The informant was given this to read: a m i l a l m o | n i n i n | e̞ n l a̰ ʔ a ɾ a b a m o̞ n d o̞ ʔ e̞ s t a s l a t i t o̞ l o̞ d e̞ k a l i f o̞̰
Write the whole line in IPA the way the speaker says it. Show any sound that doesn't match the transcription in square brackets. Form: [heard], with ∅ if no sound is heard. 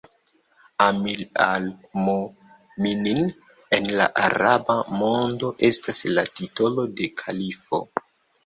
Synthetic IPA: a m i l a l m o | [m] i n i n | e̞ n l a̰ ʔ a ɾ a b a m o̞ n d o̞ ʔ e̞ s t a s l a t i t o̞ l o̞ d e̞ [kʰ] a l i f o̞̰